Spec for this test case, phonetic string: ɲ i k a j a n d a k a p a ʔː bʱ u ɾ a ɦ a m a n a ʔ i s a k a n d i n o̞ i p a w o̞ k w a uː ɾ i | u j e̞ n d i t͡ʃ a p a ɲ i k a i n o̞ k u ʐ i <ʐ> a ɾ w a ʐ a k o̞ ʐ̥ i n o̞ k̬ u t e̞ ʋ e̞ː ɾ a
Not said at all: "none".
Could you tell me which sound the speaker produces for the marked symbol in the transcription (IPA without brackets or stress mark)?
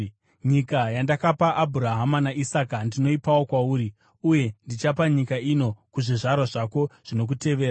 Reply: ʐ